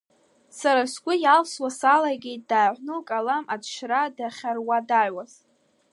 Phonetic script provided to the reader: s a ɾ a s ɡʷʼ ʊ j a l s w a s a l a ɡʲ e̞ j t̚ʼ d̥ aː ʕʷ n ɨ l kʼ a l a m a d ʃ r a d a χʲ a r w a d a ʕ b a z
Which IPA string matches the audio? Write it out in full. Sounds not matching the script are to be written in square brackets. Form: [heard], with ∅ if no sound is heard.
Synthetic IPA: s a ɾ a s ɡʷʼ ʊ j a l s w a s a l a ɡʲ e̞ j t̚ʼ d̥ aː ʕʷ n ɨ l kʼ a l a m a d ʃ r a d a χʲ a r w a d a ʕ [w] a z